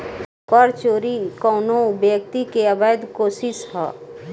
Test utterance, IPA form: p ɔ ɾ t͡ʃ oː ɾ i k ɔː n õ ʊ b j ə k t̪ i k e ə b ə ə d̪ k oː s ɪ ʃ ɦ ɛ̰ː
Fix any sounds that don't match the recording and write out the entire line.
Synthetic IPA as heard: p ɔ ɾ t͡ʃ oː ɾ i k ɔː n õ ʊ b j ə k t̪ i k e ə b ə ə d̪ k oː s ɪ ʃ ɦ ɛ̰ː